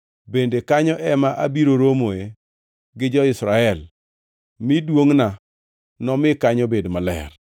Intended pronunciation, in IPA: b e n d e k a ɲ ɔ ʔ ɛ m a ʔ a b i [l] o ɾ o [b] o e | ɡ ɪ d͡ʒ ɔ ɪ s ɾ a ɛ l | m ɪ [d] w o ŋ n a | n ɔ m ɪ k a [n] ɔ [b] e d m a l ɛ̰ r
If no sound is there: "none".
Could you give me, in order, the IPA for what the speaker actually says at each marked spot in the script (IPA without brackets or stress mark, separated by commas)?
ɾ, m, d, ɲ, b